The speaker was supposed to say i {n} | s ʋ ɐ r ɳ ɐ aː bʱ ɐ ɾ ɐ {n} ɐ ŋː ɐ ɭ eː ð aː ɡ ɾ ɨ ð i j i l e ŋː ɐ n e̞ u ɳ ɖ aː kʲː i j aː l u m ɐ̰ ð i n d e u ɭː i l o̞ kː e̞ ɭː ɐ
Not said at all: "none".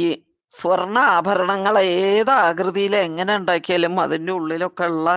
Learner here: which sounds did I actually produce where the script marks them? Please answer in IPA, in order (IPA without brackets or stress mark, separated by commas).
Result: none, ɳ